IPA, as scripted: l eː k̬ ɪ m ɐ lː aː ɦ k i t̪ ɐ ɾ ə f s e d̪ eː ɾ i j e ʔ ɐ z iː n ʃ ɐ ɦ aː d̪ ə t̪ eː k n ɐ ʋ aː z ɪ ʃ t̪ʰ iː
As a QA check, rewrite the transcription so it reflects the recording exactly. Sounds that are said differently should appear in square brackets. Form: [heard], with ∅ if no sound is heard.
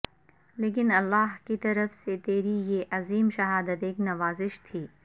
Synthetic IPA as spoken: l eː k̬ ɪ [n] ɐ lː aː ɦ k i t̪ ɐ ɾ ə f s e [t̪] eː ɾ i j e ʔ ɐ z iː [m] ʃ ɐ ɦ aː d̪ ə t̪ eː k n ɐ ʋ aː z ɪ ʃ t̪ʰ iː